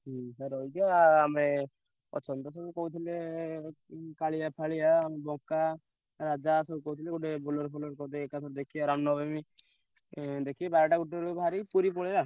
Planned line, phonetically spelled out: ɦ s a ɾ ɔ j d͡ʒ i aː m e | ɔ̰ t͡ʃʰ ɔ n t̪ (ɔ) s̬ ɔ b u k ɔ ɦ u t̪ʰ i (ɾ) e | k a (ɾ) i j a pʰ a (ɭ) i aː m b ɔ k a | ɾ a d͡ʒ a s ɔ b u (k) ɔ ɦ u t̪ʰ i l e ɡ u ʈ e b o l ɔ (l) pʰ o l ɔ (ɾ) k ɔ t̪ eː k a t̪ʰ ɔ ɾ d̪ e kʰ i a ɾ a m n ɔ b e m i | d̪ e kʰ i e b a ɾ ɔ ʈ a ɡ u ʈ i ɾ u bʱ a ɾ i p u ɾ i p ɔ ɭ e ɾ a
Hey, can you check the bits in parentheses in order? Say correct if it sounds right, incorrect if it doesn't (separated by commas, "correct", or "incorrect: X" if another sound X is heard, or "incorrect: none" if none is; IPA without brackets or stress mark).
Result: correct, incorrect: l, incorrect: ɭ, correct, correct, incorrect: ɾ, correct